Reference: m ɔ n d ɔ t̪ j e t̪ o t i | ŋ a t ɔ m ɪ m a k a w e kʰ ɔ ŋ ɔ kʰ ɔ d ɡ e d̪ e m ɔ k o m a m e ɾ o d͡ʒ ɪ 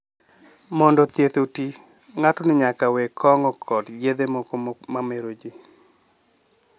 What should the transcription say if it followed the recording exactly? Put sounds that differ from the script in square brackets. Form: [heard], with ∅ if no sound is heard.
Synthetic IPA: m ɔ n d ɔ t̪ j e t̪ o t i | ŋ a t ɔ [n] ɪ [ɲ] a k a w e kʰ ɔ ŋ ɔ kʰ ɔ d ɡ e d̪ e m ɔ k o m a m e ɾ o d͡ʒ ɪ